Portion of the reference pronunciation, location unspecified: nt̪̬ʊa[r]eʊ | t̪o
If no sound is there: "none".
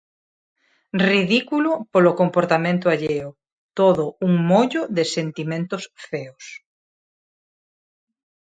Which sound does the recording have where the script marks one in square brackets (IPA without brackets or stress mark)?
ʎ